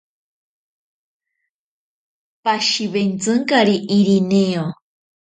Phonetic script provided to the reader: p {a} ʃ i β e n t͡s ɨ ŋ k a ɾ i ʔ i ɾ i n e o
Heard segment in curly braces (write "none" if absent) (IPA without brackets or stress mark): a